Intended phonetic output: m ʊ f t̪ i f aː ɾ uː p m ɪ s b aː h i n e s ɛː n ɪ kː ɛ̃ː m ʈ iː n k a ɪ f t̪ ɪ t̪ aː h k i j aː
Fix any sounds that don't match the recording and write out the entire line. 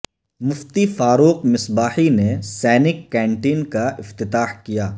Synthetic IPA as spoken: m ʊ f t̪ i f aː ɾ uː q m ɪ s b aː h i n e s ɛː n ɪ kː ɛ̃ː ɳ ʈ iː n k a ɪ f t̪ ɪ t̪ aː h k i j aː